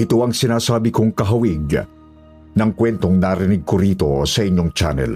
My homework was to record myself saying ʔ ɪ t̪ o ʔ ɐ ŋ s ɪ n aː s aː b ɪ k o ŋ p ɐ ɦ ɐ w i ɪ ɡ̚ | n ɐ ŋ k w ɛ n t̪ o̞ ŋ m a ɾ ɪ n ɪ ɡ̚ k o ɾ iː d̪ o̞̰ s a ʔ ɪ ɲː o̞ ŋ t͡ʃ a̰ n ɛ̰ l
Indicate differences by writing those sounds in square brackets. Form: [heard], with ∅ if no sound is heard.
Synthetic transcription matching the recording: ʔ ɪ t̪ o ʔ ɐ ŋ s ɪ n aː s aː b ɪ k o ŋ [k] ɐ ɦ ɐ w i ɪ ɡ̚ | n ɐ ŋ k w ɛ n t̪ o̞ ŋ [n] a ɾ ɪ n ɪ ɡ̚ k o ɾ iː [t̪] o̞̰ s [ɐ] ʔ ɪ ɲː o̞ ŋ t͡ʃ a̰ n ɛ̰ l